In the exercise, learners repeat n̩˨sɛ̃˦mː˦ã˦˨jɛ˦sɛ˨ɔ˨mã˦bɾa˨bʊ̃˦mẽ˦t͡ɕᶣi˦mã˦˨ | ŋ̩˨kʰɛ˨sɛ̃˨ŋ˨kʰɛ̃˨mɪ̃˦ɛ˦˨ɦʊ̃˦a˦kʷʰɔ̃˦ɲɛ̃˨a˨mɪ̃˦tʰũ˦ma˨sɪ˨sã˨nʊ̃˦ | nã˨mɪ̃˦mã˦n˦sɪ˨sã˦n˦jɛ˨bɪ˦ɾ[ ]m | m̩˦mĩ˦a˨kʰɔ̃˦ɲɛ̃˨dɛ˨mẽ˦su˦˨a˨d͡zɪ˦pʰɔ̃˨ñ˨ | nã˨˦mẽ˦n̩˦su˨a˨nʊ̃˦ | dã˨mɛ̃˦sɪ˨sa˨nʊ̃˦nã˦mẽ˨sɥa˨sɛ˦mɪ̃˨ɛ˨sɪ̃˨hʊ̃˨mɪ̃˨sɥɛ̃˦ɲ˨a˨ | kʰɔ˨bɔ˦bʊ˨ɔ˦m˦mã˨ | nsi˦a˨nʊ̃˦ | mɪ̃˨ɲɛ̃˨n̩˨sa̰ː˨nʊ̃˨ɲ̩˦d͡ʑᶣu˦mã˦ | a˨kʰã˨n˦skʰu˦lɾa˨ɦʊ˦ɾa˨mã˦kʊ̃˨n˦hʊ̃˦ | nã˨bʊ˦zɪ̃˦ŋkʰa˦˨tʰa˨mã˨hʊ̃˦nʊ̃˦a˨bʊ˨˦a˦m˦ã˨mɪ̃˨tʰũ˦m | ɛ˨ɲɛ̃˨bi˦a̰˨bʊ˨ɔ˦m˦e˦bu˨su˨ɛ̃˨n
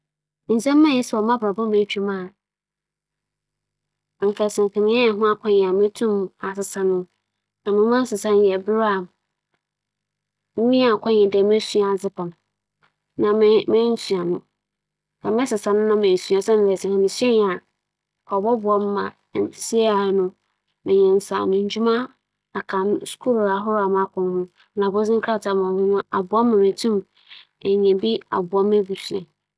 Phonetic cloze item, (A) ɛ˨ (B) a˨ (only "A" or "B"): B